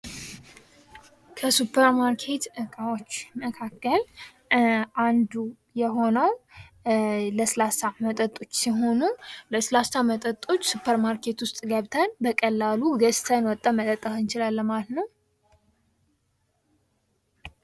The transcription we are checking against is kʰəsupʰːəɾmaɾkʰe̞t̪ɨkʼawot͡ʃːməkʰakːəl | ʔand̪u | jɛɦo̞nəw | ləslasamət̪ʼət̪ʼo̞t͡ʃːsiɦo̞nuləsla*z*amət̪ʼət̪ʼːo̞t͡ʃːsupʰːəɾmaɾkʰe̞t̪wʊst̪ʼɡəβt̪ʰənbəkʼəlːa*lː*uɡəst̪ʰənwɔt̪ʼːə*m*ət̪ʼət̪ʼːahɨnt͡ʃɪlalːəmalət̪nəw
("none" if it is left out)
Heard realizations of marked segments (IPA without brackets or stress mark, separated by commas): s, l, m